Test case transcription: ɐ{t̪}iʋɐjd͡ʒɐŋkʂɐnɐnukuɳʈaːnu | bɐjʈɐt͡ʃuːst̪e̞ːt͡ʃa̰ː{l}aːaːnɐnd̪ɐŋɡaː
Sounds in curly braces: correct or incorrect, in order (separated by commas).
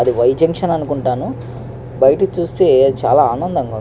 incorrect, correct